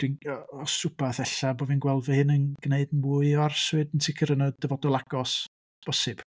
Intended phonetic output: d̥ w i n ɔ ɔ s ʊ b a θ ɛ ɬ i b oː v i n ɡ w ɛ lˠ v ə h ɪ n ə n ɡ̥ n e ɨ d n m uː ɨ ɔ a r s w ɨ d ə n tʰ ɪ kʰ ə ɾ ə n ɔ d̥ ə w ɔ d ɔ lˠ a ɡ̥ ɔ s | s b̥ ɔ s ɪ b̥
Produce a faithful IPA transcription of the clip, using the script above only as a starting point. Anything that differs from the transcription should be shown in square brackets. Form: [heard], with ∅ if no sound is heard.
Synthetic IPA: d̥ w i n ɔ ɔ s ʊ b a θ ɛ ɬ [a] b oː v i n ɡ w ɛ lˠ v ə h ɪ n ə n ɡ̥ n e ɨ d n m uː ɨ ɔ a r s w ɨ d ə n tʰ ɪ kʰ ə ɾ ə n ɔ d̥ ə [v] ɔ d ɔ lˠ a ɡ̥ ɔ s | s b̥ ɔ s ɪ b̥